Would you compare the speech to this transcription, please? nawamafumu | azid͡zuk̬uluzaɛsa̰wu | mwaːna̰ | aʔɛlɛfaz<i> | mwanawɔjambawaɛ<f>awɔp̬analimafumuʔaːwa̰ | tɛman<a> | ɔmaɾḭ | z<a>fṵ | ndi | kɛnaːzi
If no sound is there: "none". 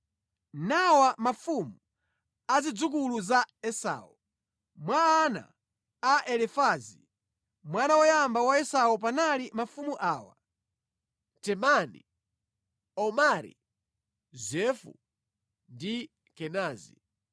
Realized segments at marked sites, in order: i, s, i, ɛ

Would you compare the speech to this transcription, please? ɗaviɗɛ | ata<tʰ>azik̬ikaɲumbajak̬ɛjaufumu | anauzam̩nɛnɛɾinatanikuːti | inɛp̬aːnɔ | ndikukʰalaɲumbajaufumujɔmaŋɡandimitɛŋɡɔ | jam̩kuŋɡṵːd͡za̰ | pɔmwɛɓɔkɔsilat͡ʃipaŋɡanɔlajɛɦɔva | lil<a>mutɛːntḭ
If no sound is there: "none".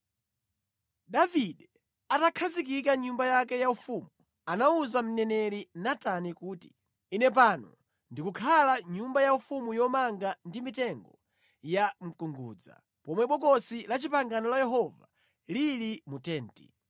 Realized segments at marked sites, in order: kʰ, i

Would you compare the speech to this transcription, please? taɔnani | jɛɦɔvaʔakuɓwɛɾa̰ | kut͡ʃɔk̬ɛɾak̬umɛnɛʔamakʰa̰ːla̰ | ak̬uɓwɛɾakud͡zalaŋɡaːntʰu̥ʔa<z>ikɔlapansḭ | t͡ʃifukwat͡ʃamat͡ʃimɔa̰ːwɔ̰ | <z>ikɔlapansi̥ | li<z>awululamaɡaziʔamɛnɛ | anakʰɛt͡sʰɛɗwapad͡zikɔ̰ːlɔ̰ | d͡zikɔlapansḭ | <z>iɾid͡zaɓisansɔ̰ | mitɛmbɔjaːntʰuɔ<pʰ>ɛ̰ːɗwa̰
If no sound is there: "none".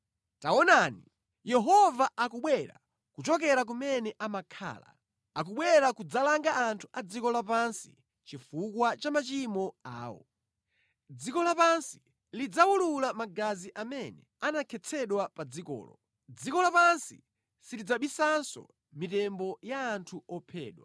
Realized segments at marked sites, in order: d͡z, d͡z, d͡z, s, pʰ

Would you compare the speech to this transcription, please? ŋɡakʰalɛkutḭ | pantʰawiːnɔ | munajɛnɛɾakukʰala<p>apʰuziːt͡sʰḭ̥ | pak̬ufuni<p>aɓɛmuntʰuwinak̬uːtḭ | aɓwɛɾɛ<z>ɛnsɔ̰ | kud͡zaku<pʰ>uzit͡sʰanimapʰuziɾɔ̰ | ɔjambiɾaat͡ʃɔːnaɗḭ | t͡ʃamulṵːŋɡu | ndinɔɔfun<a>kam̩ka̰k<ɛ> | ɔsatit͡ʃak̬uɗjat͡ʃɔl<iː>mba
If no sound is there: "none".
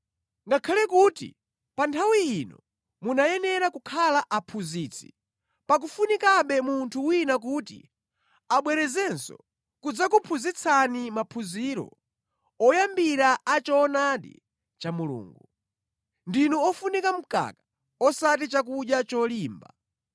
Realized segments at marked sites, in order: ʔ, k, z, pʰ, i, a, iː

